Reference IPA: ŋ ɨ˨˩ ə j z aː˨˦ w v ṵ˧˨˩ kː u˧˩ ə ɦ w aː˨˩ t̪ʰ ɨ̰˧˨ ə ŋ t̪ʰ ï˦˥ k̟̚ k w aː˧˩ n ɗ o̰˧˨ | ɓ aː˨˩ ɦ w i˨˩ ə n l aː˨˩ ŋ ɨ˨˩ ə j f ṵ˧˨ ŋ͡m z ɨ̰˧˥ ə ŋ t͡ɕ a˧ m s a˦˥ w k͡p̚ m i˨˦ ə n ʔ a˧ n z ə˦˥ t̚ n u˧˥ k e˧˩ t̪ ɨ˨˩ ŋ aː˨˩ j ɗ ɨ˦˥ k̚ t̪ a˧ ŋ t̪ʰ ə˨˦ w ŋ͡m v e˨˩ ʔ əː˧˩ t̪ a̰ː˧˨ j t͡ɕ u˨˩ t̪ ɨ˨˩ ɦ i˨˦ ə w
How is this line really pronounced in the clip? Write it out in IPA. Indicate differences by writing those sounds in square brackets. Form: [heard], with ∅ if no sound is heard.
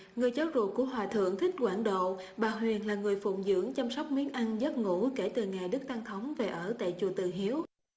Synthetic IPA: ŋ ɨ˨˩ ə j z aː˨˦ w [z] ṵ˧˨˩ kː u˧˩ ə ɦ w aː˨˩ t̪ʰ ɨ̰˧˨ ə ŋ t̪ʰ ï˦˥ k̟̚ k w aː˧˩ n ɗ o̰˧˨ | ɓ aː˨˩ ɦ w i˨˩ ə n l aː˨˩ ŋ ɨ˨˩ ə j f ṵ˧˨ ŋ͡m z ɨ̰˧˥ ə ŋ t͡ɕ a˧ m s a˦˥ w k͡p̚ m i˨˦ ə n ʔ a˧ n z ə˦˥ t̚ [ŋ] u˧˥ k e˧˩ t̪ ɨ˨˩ ŋ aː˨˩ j ɗ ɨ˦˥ k̚ t̪ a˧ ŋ t̪ʰ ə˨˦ w ŋ͡m v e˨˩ ʔ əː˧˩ t̪ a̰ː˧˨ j t͡ɕ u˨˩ t̪ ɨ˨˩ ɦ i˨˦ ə w